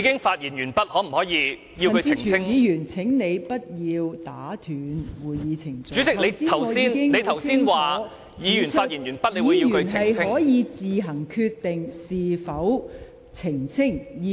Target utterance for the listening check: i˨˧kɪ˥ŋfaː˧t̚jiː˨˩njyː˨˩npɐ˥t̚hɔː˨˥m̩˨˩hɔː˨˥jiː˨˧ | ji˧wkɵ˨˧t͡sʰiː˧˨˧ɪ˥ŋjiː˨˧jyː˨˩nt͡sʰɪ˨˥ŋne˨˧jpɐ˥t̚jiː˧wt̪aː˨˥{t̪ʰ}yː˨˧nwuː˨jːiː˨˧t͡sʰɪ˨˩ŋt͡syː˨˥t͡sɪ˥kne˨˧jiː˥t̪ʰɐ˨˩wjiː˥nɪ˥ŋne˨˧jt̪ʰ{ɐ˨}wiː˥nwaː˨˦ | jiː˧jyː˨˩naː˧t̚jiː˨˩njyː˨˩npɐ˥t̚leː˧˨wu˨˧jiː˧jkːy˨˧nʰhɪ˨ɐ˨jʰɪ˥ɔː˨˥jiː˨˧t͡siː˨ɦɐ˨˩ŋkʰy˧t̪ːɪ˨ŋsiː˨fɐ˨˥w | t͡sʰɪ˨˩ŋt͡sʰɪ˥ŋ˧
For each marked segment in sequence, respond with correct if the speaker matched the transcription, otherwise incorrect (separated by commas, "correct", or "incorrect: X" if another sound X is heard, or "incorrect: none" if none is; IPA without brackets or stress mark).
correct, correct